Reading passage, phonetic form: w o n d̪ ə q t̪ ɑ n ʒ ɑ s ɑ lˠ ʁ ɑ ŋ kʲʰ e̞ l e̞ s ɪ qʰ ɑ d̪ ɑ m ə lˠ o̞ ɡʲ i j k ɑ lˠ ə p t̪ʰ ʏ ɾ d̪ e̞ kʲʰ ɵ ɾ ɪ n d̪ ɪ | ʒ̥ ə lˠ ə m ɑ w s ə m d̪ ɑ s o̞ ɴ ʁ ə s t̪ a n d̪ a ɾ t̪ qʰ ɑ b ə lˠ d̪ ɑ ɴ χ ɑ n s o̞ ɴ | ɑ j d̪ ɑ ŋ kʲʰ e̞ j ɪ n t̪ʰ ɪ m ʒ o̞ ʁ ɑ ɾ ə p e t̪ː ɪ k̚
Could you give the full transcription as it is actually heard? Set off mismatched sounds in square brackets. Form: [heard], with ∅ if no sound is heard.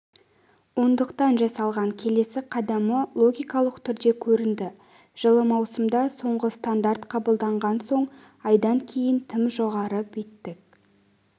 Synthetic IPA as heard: w o n d̪ ə q t̪ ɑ n ʒ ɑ s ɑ lˠ ʁ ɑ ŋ kʲʰ e̞ l e̞ s ɪ qʰ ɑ d̪ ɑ m ə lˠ o̞ ɡʲ i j k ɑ lˠ ə [q] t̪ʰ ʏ ɾ d̪ e̞ kʲʰ ɵ ɾ ɪ n d̪ ɪ | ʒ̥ ə lˠ ə m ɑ w s ə m d̪ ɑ s o̞ ɴ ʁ ə s t̪ a n d̪ a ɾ t̪ qʰ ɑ b ə lˠ d̪ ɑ ɴ [ʁ] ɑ n s o̞ ɴ | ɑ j d̪ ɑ ŋ kʲʰ e̞ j ɪ n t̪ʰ ɪ m ʒ o̞ ʁ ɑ ɾ ə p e t̪ː ɪ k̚